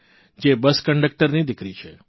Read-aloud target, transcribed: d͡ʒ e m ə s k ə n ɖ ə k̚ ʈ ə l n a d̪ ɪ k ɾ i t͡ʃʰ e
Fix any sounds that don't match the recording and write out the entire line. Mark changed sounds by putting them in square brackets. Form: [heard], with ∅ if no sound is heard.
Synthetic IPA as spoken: d͡ʒ e [b] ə s k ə [ɳ] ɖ ə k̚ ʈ ə [ɾ] n [i] d̪ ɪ k ɾ i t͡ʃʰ e